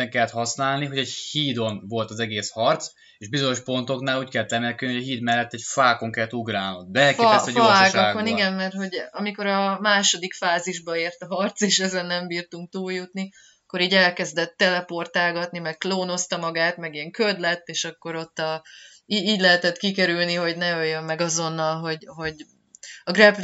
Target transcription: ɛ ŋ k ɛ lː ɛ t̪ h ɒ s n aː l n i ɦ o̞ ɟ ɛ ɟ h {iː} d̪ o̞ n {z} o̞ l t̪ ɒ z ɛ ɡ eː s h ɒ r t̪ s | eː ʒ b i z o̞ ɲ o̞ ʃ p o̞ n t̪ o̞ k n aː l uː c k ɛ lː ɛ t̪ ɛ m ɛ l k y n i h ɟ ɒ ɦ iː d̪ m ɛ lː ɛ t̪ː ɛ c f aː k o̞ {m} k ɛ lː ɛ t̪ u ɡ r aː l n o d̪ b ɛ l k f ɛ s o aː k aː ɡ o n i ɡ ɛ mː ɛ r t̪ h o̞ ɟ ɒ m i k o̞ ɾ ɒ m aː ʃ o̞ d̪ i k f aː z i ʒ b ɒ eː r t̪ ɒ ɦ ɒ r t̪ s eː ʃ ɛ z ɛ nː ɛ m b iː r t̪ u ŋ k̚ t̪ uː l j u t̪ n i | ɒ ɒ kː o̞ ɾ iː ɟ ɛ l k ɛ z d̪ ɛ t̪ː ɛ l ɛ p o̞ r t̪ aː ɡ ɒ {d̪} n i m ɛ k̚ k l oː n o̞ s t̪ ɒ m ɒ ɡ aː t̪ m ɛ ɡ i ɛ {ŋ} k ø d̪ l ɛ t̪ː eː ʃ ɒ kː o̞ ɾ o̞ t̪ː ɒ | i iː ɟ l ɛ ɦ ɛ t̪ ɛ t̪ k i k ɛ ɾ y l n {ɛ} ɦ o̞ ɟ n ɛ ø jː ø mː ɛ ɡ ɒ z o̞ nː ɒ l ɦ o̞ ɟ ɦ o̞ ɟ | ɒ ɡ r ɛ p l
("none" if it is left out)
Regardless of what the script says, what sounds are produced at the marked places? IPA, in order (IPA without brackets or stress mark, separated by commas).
iː, v, ŋ, t̪, ŋ, i